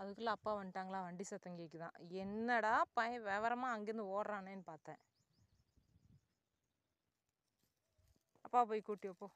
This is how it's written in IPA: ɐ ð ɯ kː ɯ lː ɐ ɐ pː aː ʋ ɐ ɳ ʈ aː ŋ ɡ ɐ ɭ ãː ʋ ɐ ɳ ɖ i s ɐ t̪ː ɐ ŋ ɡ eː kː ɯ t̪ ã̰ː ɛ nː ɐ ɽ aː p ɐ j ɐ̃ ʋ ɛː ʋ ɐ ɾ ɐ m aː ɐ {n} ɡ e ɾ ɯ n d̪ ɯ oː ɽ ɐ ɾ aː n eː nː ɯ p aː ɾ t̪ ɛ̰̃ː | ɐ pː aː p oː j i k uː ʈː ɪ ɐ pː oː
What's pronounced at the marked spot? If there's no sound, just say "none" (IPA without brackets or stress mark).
ŋ